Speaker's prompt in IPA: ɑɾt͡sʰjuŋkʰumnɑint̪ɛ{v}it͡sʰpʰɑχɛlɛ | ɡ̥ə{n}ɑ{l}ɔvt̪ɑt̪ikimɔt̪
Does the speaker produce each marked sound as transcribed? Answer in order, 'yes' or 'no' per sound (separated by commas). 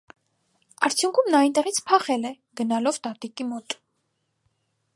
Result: no, yes, yes